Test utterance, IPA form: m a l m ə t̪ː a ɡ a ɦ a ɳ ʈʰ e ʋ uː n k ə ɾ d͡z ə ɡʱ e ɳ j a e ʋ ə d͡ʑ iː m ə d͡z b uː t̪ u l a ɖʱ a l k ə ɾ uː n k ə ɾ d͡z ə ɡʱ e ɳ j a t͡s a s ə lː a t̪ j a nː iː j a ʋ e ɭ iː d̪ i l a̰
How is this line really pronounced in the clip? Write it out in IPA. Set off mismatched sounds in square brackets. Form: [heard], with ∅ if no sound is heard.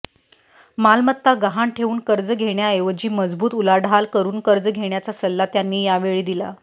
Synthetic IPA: m a l m ə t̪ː a ɡ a ɦ a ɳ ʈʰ e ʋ uː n k ə ɾ d͡z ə ɡʱ e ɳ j a e ʋ ə d͡ʑ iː m ə d͡z b uː t̪ u l a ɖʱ a l k ə ɾ uː n k ə ɾ d͡z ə ɡʱ e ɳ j a t͡s a s ə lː a t̪ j a nː iː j a ʋ e ɭ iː d̪ i l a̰